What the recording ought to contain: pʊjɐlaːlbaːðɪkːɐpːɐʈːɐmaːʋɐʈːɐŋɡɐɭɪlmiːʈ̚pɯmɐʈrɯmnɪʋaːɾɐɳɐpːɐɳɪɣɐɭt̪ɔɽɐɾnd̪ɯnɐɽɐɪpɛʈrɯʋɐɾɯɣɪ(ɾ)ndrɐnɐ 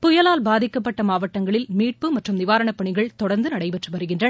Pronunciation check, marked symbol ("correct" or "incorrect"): incorrect